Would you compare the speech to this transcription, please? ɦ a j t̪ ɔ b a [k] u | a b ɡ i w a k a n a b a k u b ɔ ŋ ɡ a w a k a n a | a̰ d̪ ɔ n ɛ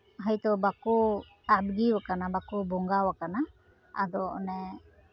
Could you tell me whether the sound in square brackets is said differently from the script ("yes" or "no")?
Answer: no